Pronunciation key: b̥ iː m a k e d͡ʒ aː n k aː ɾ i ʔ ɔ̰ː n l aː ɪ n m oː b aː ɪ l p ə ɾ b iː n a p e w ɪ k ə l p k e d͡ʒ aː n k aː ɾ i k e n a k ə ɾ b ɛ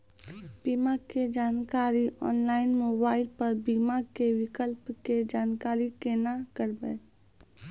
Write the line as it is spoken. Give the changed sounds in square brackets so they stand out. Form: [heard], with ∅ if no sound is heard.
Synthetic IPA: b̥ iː m a k e d͡ʒ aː n k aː ɾ i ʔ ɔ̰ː n l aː ɪ n m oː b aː ɪ l p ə ɾ b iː [m] a [k] e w ɪ k ə l p k e d͡ʒ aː n k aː ɾ i k e n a k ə ɾ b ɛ